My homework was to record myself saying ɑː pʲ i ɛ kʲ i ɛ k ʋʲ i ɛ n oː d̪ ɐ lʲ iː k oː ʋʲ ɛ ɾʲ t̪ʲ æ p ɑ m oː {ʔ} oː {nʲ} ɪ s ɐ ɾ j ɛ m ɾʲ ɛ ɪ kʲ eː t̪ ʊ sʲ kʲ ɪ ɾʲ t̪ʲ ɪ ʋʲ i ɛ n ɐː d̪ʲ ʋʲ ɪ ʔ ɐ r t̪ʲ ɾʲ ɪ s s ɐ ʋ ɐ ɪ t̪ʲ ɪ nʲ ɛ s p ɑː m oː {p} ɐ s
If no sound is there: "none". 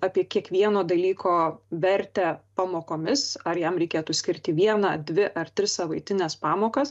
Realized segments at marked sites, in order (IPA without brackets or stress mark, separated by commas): k, mʲ, k